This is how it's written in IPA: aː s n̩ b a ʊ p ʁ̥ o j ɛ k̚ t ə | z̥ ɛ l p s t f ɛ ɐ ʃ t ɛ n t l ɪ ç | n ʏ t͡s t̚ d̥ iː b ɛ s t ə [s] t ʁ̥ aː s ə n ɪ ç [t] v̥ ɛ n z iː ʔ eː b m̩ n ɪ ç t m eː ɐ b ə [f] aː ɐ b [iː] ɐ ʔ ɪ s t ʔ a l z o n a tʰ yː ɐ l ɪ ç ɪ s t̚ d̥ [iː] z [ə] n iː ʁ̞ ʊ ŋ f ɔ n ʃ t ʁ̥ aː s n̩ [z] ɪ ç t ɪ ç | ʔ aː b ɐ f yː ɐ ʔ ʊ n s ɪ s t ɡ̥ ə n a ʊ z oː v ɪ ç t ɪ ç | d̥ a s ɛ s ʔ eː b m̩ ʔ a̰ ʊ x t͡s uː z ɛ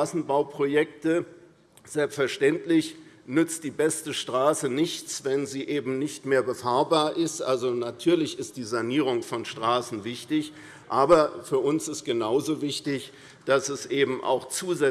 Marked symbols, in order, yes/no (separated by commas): no, no, yes, no, yes, no, no